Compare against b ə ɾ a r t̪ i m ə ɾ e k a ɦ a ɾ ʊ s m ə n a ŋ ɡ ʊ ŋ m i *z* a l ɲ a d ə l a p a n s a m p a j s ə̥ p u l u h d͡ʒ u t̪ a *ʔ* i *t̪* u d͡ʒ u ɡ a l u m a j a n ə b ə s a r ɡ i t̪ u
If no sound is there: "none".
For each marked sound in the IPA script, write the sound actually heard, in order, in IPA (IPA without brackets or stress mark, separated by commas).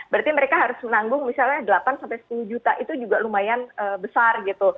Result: s, ʔ, t̪